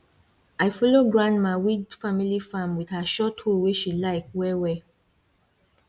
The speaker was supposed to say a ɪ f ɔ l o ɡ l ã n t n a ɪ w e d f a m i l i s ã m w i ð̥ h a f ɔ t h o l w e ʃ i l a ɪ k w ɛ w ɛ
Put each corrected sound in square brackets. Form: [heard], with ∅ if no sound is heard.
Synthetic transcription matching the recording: a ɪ f ɔ l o ɡ [ɹ] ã n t [m] a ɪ w [i] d f a m i l i [f] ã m w i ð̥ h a [ʃ] ɔ t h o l w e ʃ i l a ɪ k w ɛ w ɛ